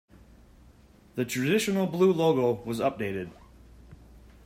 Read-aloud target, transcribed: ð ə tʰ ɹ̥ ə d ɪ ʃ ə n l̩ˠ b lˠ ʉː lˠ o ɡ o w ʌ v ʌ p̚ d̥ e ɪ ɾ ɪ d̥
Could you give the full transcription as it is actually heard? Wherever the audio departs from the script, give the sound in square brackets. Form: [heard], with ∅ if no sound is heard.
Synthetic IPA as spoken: ð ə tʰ ɹ̥ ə d ɪ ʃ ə n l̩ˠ b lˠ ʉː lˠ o ɡ o w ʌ [z] ʌ p̚ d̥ e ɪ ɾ ɪ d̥